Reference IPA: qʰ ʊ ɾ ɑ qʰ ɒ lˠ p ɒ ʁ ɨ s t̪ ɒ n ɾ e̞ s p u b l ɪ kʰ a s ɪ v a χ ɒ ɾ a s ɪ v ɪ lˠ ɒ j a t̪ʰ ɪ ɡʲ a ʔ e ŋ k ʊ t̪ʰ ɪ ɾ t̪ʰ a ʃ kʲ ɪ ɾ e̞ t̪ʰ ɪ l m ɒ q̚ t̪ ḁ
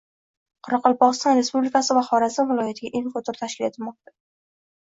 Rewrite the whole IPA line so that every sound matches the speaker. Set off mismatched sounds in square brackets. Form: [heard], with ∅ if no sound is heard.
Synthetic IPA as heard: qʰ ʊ ɾ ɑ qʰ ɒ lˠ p ɒ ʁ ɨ s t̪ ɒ n ɾ e̞ s p u b l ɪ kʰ a s ɪ v a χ ɒ ɾ a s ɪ v ɪ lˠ ɒ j a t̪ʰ ɪ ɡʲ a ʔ e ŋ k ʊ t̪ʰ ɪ ɾ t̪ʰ a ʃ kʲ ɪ [l] e̞ t̪ʰ ɪ l m ɒ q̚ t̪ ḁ